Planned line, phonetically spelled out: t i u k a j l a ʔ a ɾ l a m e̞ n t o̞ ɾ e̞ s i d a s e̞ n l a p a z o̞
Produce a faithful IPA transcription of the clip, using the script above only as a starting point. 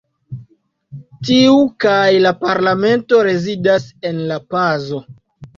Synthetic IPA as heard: t i u k a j l a p a ɾ l a m e̞ n t o̞ ɾ e̞ z i d a s e̞ n l a p a z o̞